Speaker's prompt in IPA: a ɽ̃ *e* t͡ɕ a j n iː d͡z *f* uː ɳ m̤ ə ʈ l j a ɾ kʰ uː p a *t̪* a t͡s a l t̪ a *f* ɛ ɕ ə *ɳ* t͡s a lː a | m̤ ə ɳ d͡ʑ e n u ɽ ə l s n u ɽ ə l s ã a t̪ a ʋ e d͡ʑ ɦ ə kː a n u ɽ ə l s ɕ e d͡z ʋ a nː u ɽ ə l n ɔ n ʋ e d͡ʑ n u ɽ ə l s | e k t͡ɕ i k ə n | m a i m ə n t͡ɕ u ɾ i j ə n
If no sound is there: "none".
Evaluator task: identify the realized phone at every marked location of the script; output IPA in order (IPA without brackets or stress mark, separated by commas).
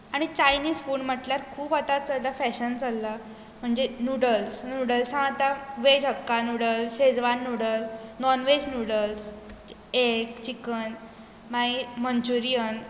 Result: i, f, t̪, f, n